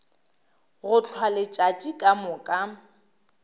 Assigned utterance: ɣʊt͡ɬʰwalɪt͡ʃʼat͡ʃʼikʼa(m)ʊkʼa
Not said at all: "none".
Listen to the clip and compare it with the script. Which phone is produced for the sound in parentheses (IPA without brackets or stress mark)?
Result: m